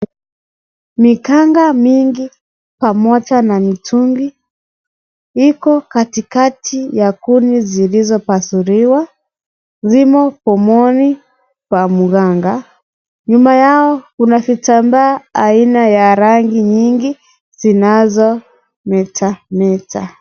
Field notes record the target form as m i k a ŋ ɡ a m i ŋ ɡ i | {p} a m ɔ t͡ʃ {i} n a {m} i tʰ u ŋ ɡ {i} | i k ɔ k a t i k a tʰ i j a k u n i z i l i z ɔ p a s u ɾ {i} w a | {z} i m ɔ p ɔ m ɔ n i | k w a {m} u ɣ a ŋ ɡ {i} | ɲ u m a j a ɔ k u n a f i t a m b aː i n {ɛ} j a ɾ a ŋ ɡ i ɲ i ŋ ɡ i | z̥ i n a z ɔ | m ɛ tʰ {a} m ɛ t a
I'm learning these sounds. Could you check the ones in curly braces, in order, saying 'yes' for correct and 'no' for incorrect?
yes, no, yes, yes, yes, yes, yes, no, no, yes

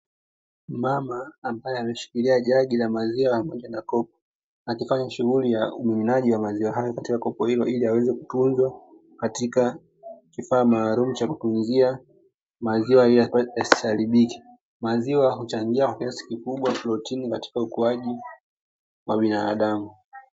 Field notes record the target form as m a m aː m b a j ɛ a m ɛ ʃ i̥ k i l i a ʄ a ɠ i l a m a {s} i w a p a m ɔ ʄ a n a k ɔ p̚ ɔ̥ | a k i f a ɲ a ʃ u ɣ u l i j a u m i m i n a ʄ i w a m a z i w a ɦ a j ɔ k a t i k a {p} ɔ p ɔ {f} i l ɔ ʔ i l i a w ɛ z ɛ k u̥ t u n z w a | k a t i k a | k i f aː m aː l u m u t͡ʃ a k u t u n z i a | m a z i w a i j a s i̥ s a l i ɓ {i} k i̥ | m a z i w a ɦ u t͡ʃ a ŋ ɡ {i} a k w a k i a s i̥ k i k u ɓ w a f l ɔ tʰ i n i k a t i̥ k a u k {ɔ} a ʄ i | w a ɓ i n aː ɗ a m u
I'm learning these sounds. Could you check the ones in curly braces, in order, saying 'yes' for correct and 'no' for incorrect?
no, no, no, yes, yes, no

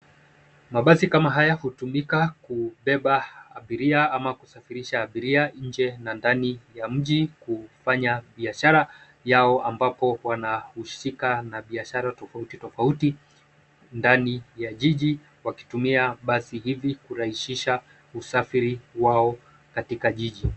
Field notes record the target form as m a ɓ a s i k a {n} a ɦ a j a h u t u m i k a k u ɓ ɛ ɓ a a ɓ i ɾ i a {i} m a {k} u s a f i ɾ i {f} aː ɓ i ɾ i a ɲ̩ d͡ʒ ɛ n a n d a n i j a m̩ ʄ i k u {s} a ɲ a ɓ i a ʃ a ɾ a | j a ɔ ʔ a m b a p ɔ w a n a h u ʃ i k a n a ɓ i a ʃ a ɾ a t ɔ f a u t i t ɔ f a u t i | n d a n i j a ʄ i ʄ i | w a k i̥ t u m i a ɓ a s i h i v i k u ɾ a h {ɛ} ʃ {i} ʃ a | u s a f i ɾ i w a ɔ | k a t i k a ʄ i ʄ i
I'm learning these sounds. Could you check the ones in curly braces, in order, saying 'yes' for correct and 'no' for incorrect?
no, no, yes, no, no, no, yes

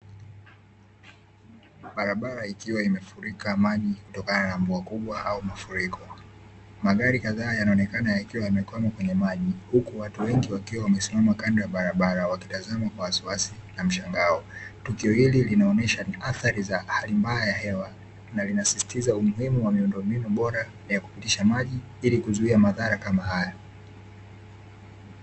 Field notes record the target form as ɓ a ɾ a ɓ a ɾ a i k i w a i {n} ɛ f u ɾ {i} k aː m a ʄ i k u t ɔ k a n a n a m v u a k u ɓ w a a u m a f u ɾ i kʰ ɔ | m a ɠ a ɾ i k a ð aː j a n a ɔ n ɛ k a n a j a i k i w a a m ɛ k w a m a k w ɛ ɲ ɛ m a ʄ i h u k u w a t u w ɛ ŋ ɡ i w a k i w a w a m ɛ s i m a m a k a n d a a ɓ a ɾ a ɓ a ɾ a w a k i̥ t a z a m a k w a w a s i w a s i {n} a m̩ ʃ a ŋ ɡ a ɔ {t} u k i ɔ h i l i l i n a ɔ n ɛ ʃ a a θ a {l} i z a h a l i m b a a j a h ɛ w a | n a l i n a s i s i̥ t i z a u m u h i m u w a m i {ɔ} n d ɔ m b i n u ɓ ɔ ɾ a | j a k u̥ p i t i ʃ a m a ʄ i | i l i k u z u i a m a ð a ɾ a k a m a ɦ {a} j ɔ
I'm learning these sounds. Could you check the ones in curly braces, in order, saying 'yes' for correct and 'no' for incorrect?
no, yes, yes, yes, no, no, yes

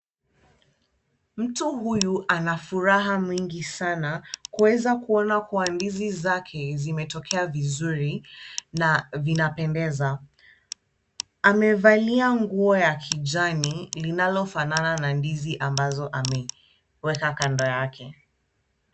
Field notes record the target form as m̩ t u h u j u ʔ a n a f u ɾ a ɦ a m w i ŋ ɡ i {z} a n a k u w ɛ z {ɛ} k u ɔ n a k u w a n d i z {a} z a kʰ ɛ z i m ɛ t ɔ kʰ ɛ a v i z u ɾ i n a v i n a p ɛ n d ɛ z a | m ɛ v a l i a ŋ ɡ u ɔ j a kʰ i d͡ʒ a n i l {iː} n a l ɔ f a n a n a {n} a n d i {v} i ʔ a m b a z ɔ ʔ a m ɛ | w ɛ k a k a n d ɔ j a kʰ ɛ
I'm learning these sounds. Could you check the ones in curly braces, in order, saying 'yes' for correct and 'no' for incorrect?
no, no, no, no, yes, no

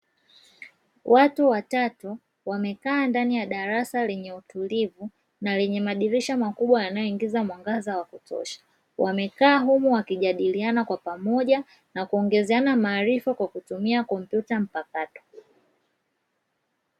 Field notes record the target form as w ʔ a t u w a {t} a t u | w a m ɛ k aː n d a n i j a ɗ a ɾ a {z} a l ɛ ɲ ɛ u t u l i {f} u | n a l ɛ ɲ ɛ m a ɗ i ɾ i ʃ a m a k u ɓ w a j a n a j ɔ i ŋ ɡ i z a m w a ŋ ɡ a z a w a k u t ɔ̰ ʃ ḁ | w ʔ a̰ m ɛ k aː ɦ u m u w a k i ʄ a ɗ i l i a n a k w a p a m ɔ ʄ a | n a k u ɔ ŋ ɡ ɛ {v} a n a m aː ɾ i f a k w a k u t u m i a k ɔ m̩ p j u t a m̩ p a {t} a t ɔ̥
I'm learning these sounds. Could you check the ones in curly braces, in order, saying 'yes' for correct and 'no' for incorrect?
yes, no, no, no, no

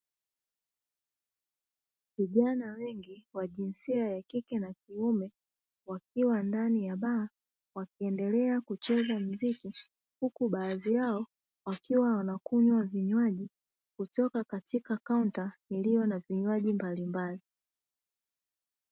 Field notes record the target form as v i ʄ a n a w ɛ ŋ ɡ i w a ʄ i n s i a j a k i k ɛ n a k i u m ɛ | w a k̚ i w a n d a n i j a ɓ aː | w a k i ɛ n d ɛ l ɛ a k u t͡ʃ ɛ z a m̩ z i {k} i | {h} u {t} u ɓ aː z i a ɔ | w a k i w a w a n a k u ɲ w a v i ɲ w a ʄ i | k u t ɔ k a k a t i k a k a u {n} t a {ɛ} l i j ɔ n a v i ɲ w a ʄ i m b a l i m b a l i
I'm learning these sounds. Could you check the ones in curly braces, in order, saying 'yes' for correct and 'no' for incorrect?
yes, yes, no, yes, no

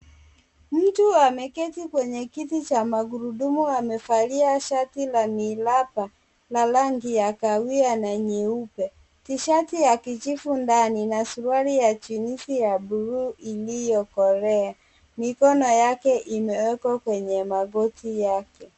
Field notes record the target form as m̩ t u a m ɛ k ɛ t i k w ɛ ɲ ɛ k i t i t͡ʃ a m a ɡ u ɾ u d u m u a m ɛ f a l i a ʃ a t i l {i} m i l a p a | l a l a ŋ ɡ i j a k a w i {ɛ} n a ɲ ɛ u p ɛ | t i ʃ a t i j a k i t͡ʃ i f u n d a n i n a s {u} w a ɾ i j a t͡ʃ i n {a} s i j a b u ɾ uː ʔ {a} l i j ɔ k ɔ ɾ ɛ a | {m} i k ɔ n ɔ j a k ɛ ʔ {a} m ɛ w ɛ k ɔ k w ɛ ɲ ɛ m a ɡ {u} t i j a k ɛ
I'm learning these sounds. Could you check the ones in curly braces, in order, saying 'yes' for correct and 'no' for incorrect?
no, no, yes, no, no, yes, no, no

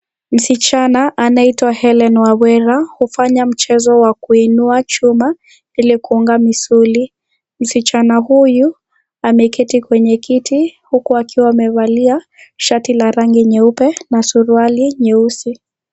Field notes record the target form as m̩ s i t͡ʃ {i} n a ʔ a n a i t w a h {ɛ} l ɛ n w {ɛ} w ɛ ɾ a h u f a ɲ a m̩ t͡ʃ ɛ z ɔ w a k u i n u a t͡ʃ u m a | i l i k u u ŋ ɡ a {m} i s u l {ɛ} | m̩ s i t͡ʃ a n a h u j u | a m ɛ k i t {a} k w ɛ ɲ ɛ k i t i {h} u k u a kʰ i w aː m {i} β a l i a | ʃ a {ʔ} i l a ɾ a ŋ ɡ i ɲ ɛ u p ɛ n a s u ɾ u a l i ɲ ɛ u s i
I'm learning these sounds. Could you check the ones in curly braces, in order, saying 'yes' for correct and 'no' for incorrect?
no, yes, no, yes, no, no, yes, no, no

